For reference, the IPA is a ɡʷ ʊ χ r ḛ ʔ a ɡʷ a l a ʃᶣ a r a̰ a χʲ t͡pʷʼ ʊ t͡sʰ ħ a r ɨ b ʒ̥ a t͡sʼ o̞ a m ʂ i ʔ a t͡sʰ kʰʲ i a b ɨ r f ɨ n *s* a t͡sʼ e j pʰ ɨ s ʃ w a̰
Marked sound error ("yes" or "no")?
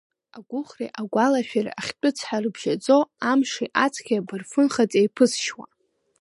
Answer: yes